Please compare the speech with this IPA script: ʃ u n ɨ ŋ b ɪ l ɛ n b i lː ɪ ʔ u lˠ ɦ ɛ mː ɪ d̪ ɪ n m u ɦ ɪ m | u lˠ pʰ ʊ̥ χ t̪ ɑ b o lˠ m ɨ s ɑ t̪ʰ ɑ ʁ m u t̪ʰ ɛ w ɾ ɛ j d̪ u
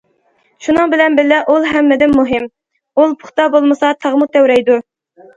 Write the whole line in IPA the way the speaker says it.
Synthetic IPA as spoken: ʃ u n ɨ ŋ b ɪ l ɛ n b ɪ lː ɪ ʔ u lˠ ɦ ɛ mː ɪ d̪ ɪ n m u ɦ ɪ m | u lˠ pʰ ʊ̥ χ t̪ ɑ b o lˠ m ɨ s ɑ t̪ʰ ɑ ʁ m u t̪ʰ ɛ w ɾ ɛ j d̪ u